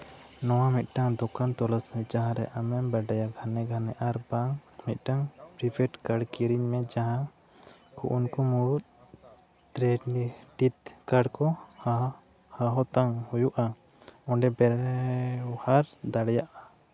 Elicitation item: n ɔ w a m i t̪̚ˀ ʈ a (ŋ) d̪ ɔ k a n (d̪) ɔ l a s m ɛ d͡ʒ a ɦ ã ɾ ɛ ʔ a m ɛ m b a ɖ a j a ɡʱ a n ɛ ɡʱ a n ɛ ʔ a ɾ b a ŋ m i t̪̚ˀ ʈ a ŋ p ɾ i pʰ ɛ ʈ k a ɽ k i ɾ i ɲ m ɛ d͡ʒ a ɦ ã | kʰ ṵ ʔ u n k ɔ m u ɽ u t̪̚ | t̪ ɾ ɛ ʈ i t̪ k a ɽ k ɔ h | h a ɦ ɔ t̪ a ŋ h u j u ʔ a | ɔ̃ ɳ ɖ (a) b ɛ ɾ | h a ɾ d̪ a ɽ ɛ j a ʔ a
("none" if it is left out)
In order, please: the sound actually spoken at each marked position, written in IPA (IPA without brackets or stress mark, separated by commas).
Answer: ŋ, t̪, ɛ